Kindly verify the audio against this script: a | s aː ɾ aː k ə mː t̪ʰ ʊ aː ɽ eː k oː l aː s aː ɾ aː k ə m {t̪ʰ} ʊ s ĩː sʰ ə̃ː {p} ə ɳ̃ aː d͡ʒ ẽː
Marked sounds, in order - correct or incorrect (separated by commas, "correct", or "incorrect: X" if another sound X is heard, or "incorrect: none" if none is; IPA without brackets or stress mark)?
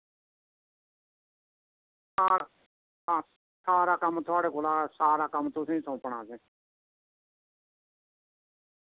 incorrect: t̪, correct